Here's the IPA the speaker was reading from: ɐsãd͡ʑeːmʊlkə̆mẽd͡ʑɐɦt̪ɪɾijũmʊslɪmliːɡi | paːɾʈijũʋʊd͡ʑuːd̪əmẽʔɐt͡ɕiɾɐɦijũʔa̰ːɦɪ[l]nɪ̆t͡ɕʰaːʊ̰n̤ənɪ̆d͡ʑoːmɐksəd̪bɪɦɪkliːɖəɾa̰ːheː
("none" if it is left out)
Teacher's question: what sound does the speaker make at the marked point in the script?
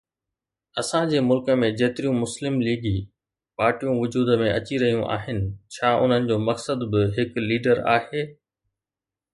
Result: none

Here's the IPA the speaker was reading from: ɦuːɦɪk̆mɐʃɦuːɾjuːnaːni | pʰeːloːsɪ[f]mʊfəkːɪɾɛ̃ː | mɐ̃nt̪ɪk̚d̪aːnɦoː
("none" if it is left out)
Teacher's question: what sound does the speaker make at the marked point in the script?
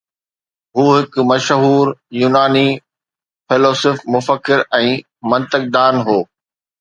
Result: f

